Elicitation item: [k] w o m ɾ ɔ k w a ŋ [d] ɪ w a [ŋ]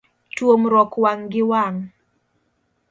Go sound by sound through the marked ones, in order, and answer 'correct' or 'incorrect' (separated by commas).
incorrect, incorrect, correct